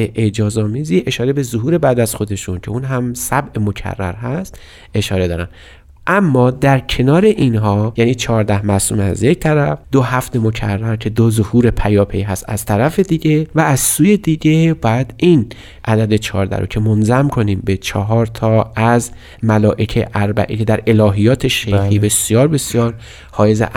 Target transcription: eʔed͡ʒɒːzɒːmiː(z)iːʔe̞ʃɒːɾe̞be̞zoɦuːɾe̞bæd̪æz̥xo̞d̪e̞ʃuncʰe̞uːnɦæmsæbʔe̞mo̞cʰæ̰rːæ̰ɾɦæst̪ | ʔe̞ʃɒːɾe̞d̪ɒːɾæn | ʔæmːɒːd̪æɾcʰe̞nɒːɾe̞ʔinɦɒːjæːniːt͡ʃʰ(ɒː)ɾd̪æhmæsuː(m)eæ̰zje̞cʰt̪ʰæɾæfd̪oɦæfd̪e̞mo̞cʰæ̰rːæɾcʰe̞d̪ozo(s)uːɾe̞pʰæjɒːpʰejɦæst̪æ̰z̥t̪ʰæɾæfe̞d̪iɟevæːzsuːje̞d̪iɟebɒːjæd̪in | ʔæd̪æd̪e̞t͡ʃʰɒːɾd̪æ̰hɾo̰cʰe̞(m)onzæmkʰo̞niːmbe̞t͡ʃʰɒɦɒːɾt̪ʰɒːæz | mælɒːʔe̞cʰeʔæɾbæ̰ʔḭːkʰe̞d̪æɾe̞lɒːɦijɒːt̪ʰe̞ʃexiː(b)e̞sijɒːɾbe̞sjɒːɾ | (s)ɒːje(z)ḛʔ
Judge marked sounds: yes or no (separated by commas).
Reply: yes, yes, yes, no, yes, yes, no, yes